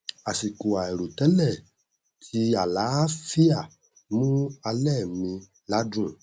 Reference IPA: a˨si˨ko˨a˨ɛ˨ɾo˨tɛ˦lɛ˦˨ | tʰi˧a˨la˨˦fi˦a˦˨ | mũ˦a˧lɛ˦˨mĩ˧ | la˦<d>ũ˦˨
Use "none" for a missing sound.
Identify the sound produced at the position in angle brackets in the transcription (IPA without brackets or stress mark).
d